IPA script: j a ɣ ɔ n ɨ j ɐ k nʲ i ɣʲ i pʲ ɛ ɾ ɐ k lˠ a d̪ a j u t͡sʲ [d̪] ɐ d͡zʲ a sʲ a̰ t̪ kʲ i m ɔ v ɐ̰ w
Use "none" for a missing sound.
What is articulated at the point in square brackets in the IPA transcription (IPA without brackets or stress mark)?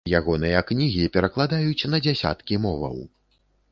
n̪